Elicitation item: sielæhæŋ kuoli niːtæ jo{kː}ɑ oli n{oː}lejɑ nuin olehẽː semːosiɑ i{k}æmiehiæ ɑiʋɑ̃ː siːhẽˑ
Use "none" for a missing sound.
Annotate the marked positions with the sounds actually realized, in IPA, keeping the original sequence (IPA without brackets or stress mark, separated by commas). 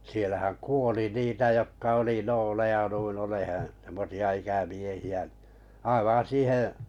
kː, oː, k